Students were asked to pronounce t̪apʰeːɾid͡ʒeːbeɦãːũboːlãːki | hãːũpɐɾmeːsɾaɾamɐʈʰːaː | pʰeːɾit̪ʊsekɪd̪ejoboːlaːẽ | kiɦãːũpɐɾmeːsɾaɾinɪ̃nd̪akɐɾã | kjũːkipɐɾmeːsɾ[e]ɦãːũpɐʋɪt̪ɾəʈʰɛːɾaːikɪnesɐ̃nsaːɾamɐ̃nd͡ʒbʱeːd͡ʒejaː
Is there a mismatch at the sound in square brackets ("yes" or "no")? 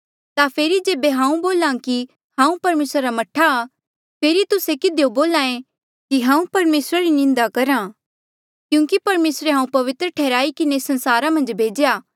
no